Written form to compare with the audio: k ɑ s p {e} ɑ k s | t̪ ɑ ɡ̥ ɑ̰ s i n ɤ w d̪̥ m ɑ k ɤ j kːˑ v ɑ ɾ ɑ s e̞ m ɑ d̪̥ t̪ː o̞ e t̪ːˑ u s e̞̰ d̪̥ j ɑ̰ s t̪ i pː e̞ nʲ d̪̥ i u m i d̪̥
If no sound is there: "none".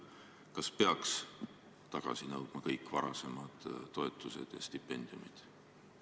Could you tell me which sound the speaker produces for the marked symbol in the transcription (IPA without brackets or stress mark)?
e